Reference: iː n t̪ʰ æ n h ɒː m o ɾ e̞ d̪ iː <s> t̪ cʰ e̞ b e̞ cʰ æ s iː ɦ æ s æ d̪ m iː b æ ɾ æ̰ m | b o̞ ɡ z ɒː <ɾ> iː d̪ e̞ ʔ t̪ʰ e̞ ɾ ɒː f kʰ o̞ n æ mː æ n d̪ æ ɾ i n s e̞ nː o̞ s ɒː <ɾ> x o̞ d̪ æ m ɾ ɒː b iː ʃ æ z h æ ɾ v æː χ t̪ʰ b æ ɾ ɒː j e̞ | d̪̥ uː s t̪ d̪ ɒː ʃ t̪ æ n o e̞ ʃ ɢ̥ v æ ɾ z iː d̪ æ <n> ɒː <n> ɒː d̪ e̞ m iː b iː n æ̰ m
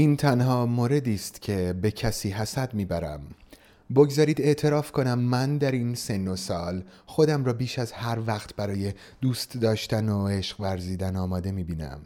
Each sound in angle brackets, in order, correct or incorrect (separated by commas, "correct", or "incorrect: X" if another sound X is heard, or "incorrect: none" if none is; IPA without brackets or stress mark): correct, correct, incorrect: l, correct, incorrect: m